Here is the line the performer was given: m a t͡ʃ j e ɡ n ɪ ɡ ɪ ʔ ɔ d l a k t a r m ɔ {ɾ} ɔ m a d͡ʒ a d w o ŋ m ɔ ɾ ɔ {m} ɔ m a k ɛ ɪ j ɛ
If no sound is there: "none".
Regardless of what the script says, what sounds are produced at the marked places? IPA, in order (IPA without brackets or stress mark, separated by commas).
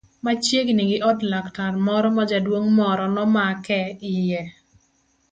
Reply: ɾ, n